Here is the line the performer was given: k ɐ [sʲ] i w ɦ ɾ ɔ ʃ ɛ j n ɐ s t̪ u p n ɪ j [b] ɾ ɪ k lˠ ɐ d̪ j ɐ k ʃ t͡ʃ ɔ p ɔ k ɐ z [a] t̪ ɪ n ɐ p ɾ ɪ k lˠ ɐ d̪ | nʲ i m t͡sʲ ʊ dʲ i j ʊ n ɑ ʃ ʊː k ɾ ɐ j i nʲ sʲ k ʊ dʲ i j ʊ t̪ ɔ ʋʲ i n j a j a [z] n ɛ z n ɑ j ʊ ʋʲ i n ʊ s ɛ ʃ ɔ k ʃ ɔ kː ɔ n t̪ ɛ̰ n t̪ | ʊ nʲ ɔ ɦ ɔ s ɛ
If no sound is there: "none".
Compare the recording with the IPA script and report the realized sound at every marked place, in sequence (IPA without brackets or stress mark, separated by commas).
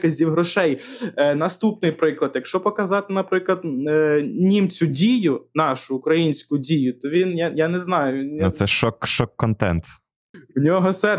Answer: zʲ, p, ɑ, none